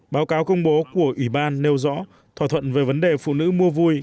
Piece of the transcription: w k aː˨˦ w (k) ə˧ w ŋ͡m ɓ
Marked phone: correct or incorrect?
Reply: correct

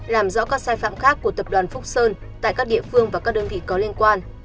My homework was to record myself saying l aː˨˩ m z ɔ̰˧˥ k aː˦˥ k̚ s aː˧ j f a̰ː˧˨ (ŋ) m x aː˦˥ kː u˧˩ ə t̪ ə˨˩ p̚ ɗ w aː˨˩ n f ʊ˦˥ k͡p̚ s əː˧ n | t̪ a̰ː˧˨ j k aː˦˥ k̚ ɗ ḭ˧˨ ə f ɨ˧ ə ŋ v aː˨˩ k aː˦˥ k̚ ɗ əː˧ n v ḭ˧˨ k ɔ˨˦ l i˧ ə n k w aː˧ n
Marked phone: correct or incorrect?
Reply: incorrect: none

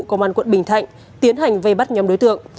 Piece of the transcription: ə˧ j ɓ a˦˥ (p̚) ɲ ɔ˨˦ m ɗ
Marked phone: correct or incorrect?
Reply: incorrect: t̚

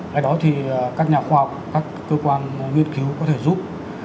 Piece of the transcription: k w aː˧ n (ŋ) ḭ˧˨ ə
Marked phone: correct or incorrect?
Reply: correct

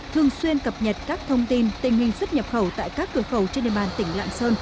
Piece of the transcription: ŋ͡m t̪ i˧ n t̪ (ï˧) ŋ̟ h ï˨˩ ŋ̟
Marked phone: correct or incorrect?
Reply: incorrect: ï˨˩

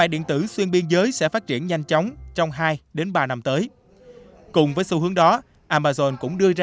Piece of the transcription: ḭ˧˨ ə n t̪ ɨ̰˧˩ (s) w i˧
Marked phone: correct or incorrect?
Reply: correct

